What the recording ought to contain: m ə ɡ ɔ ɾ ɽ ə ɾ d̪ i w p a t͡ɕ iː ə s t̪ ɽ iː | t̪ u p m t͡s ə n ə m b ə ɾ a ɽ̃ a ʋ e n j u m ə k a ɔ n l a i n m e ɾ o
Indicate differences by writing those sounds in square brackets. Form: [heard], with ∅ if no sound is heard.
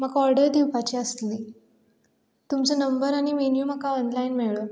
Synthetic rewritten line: m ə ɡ ɔ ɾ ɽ ə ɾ d̪ i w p a t͡ɕ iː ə s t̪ [l] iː | t̪ u [∅] m t͡s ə n ə m b ə ɾ a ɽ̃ [i] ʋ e n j u m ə k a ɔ n l a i n m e [ɭ] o